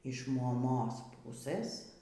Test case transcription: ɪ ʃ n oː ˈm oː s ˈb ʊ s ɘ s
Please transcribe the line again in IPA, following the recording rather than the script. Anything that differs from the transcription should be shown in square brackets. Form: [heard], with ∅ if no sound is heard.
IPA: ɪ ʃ [m] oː ˈm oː s [ˈp] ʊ s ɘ s

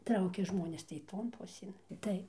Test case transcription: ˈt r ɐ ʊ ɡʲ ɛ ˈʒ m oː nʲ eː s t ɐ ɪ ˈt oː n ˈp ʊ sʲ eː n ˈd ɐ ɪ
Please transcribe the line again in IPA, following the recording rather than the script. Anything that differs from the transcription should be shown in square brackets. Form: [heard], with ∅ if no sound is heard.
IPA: ˈt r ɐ ʊ [kʲ] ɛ ˈʒ m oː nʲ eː s t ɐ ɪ ˈt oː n ˈp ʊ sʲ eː n [ˈt] ɐ ɪ

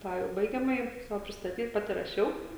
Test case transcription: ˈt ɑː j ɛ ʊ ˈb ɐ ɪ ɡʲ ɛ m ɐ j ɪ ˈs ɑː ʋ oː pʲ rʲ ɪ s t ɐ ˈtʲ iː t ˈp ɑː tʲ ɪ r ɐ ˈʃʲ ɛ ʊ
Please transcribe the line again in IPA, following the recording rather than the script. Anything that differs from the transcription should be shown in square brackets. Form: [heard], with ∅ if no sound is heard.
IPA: ˈt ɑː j ɛ ʊ ˈb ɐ ɪ ɡʲ ɛ m ɐ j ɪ ˈs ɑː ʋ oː pʲ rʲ ɪ s t ɐ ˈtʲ iː t ˈp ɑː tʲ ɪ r ɐ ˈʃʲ ɛ ʊ

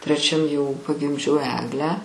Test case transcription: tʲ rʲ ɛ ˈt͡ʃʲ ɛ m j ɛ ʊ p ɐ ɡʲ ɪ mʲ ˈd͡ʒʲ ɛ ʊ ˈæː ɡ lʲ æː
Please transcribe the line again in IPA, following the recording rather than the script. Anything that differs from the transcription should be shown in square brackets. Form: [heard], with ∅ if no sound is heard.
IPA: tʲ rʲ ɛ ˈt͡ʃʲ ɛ m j ɛ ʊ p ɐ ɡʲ ɪ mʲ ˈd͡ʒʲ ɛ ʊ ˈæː ɡ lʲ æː

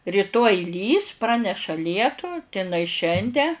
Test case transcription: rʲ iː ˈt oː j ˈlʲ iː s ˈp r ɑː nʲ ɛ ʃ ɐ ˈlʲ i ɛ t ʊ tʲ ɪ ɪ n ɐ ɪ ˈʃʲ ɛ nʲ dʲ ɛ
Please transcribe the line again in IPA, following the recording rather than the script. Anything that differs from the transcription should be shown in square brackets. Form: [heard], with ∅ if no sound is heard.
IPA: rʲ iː ˈt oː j ˈlʲ iː s ˈp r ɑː nʲ ɛ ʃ ɐ ˈlʲ i ɛ t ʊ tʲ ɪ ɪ n ɐ ɪ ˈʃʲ ɛ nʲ dʲ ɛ

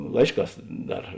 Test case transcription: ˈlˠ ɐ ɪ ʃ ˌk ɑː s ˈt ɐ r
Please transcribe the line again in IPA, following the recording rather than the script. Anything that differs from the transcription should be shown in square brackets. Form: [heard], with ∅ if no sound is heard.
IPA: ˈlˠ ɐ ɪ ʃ ˌk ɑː s [ˈd] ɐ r

